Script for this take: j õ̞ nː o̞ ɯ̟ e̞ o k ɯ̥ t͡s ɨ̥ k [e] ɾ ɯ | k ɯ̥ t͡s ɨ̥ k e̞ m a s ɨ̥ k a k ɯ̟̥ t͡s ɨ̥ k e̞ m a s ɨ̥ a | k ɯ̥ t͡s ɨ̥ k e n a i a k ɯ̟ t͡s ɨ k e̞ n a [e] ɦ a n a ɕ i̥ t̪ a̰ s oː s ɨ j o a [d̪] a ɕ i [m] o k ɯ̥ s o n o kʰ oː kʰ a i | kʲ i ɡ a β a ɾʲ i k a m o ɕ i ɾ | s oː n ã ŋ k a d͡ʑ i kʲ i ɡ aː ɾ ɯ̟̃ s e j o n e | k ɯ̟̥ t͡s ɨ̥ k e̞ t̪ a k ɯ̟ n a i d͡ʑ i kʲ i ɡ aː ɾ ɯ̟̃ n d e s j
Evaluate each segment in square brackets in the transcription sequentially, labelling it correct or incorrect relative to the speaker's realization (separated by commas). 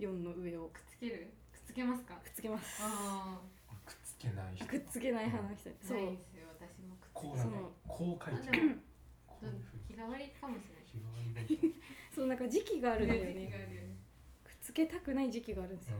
correct, incorrect, incorrect, correct